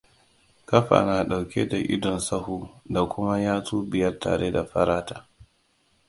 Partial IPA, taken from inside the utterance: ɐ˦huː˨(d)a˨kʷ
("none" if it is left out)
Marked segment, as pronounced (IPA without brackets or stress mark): d